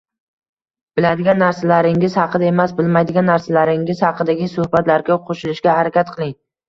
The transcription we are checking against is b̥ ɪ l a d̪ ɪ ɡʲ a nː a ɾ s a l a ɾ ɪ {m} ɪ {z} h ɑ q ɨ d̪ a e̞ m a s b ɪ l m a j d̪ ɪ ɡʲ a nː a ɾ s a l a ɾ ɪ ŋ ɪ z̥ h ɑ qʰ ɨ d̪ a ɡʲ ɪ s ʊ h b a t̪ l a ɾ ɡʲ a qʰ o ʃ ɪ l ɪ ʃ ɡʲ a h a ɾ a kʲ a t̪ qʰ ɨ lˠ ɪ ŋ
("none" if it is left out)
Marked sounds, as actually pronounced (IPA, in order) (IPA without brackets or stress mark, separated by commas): ŋ, z